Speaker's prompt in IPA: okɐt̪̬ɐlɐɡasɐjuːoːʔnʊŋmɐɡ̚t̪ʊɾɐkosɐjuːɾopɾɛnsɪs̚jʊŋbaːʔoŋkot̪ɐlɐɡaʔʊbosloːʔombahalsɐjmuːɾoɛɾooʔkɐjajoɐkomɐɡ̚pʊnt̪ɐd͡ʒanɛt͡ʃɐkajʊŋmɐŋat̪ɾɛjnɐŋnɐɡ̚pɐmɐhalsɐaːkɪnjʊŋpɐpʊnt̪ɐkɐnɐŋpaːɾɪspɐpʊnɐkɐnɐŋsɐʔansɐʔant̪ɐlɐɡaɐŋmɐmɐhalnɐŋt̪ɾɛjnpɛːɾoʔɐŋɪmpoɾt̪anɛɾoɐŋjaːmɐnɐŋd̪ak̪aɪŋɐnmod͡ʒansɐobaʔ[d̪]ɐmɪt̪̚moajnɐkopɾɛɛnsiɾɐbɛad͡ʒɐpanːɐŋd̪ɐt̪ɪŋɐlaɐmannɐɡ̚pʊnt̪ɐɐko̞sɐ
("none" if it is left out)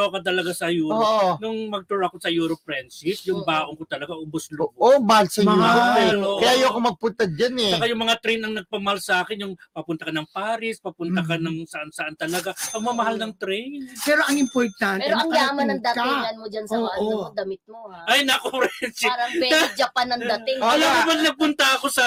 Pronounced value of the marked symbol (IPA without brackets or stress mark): d̪